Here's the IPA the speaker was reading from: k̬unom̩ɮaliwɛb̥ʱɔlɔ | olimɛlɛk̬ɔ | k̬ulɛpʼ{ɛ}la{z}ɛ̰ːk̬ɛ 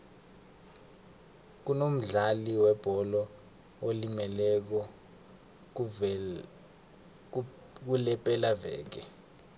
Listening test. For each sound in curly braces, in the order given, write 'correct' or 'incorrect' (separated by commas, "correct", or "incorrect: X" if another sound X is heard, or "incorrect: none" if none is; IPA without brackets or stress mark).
correct, incorrect: v